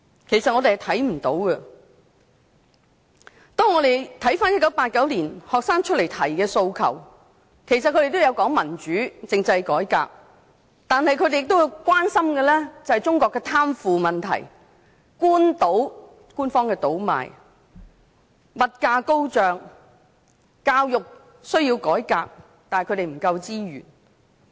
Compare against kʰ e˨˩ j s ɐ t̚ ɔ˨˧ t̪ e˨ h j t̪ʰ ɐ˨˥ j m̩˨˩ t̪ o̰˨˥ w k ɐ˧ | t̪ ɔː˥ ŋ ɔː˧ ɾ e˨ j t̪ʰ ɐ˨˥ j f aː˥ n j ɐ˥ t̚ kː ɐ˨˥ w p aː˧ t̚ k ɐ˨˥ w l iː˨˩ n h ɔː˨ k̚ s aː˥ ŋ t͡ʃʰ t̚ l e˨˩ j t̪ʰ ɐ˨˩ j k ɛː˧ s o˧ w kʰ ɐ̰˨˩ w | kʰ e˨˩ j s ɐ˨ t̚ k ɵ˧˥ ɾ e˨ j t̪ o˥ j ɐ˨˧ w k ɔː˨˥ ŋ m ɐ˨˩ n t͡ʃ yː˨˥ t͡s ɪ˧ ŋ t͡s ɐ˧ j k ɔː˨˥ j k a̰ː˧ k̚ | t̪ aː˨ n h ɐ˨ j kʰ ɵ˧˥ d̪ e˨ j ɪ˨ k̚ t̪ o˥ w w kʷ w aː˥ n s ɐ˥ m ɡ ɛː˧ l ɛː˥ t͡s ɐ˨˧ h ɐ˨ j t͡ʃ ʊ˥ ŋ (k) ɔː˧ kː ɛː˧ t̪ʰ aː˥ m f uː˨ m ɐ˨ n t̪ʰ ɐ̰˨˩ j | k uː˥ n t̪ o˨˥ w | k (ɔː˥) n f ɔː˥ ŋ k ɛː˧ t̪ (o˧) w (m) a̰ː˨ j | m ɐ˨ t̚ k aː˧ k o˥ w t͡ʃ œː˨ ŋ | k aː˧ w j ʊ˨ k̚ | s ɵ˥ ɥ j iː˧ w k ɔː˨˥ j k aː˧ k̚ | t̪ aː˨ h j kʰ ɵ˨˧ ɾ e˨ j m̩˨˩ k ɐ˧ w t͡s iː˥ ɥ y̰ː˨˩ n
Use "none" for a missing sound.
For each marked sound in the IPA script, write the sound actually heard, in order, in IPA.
k, uː˥, o˨˥, m

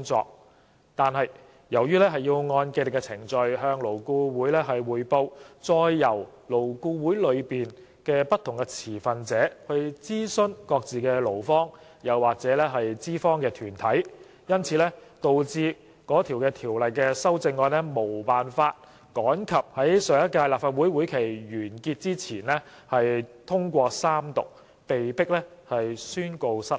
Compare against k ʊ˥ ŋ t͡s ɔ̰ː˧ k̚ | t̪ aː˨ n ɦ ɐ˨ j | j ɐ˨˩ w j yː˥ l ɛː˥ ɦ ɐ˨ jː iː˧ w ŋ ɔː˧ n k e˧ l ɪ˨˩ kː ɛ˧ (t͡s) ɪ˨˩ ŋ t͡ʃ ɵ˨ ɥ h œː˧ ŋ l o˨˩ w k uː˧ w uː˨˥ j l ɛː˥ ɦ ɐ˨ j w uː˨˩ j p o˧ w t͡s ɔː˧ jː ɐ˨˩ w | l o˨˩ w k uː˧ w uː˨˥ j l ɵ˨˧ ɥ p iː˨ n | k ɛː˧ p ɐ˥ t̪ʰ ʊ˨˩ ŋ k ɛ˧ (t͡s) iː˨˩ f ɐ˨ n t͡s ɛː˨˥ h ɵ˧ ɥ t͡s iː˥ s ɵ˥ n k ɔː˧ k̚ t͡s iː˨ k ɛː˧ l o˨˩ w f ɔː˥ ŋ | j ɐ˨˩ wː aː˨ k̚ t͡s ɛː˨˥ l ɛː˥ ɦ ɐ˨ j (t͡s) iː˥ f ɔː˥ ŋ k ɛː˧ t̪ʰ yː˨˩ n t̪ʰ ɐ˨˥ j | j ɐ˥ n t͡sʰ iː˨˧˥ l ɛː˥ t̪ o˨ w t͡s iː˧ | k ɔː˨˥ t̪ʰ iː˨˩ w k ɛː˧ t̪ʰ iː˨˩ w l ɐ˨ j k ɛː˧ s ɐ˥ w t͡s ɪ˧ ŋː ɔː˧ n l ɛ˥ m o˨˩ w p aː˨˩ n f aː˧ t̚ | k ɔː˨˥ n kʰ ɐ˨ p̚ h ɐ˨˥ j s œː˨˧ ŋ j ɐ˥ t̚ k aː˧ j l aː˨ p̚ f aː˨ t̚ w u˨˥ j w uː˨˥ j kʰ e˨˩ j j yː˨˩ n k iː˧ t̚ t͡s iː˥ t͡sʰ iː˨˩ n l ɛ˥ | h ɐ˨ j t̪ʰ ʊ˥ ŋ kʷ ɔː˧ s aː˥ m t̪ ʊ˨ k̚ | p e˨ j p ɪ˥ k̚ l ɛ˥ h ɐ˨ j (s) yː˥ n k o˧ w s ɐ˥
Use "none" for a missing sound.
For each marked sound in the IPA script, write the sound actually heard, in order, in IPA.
t͡sʰ, t͡sʰ, t͡s, s

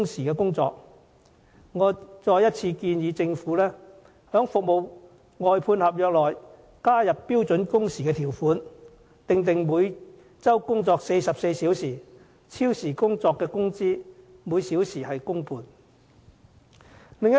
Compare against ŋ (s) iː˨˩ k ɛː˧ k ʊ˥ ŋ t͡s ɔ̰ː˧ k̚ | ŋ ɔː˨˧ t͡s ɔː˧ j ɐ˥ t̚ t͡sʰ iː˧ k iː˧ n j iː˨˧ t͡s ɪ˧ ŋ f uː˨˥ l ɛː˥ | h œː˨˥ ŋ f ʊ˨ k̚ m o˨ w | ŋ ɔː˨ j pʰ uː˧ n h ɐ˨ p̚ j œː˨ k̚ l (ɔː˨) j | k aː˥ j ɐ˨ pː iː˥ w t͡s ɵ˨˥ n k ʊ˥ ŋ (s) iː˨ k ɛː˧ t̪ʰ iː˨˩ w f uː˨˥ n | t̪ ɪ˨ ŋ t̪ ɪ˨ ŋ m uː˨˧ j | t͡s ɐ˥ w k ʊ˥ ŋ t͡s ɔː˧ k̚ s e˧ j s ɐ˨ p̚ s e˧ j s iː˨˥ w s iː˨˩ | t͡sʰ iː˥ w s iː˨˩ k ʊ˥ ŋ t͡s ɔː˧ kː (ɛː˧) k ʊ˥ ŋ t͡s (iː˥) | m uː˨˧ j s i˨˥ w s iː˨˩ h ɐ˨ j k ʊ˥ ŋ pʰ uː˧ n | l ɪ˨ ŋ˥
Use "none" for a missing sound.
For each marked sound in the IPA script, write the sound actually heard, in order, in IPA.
s, ɔː˨, s, ɛː˧, iː˥

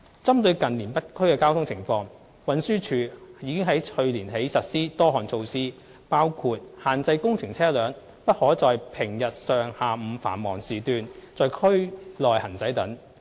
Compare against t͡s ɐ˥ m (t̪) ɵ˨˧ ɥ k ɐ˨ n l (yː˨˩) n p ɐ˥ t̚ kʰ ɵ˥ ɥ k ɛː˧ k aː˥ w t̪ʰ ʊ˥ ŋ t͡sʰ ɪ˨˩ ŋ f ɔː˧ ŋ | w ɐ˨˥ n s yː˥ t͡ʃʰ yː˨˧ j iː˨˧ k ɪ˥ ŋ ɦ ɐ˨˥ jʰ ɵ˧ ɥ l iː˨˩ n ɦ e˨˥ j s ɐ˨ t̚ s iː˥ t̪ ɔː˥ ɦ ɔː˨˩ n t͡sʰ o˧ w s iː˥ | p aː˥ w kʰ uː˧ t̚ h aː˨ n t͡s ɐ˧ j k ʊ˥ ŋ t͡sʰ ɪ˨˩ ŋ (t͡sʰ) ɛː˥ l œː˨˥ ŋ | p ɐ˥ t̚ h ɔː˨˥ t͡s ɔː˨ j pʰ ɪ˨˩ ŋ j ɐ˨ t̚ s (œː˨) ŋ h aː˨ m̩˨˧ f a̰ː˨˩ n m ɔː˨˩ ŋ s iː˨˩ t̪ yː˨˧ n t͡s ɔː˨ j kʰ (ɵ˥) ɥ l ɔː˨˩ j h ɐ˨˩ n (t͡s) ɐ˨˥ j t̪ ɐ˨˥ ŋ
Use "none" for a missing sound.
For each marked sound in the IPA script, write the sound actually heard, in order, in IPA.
t̪, iː˨˩, t͡sʰ, œː˨, ɵ˥, t͡s

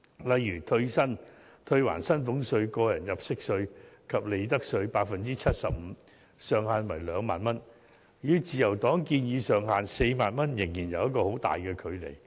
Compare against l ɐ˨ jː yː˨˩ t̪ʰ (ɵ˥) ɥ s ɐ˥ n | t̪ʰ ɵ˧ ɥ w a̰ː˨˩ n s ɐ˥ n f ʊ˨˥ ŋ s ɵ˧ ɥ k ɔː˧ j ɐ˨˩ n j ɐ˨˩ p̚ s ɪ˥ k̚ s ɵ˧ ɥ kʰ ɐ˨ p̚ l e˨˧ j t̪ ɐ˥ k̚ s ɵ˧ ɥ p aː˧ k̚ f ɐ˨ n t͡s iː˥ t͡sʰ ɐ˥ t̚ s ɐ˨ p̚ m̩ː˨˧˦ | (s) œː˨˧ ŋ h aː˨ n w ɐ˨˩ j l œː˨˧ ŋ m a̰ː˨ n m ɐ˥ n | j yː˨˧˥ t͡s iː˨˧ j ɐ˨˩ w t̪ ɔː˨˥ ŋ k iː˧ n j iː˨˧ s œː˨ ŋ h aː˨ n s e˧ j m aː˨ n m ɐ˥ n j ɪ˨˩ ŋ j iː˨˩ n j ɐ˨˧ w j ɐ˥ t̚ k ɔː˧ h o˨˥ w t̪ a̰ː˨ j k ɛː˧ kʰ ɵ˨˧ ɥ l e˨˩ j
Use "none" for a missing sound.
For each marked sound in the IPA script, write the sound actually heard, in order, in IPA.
ɵ˧, s

